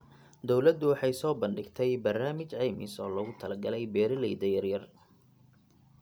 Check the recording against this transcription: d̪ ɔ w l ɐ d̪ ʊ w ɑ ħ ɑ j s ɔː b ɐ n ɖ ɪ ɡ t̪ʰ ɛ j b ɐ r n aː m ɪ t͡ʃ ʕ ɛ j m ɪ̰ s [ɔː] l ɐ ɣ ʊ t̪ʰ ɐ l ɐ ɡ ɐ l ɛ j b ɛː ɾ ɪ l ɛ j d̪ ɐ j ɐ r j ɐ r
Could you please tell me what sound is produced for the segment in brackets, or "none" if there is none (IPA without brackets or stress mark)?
ɔː